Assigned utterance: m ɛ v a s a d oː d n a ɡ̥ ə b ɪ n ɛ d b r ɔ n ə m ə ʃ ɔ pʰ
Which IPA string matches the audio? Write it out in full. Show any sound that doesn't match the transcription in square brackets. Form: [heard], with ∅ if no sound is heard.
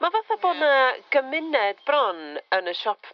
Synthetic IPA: m [a] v a [θ] a [b] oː d n a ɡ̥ ə [m] ɪ n ɛ d b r ɔ n ə [n] ə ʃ ɔ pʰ